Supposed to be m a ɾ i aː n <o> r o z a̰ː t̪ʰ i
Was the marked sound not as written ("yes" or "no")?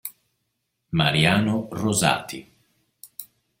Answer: no